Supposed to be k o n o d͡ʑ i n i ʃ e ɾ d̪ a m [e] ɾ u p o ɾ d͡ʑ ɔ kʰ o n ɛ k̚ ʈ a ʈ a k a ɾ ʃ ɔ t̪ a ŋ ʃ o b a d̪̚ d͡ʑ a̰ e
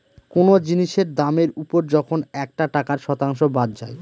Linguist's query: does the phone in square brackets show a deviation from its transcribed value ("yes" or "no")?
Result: no